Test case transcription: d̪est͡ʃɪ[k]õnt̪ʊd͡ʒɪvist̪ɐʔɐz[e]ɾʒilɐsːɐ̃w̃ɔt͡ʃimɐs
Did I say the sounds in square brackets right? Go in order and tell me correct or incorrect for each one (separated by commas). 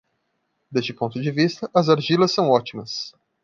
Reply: incorrect, incorrect